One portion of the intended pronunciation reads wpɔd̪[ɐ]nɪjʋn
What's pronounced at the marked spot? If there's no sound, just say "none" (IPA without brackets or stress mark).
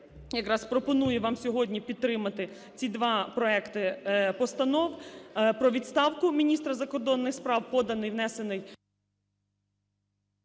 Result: ɐ